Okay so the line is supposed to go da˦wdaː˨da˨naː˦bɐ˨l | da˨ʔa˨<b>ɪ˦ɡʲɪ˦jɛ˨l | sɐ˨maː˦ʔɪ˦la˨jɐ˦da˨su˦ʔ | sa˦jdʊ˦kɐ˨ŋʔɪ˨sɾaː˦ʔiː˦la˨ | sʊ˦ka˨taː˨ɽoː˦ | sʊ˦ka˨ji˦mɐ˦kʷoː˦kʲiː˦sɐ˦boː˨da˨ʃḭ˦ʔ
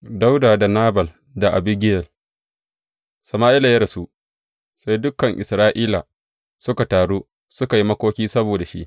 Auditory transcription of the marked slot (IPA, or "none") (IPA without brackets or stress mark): b